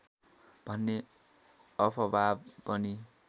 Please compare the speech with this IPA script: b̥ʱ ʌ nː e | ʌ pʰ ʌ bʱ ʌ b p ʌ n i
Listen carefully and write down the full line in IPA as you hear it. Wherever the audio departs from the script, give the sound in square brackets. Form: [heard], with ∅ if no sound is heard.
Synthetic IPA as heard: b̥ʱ ʌ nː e | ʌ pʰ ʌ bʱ [a] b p ʌ n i